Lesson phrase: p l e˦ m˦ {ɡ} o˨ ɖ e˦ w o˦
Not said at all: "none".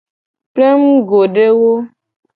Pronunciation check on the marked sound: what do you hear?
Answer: ɡ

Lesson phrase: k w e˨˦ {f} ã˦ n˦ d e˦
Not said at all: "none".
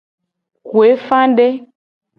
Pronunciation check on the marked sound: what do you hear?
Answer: f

